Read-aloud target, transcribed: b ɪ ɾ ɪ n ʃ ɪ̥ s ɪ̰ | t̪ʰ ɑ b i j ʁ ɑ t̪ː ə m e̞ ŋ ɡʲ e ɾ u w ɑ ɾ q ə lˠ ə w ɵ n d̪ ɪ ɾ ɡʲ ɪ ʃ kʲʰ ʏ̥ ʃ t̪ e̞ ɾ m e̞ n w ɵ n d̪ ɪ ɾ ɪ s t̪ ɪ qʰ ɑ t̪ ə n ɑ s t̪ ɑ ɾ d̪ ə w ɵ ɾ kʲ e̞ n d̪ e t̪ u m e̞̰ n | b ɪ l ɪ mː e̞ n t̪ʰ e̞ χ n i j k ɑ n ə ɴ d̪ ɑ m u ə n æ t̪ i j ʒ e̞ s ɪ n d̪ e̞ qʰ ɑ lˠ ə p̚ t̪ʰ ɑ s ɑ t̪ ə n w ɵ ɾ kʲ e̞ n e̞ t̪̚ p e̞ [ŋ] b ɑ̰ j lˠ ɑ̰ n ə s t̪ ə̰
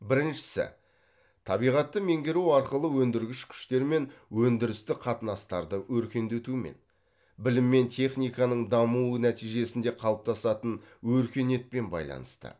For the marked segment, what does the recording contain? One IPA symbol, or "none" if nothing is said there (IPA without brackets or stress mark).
n